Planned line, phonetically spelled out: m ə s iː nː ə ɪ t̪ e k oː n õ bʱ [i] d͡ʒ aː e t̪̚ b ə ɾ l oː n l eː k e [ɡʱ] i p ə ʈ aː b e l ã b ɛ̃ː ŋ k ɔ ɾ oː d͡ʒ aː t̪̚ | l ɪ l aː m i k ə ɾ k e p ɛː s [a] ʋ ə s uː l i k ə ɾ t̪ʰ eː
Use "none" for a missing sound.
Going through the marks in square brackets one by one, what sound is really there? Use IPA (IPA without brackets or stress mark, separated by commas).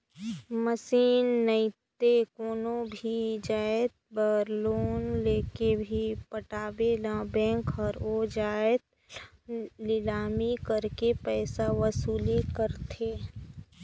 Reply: i, bʱ, a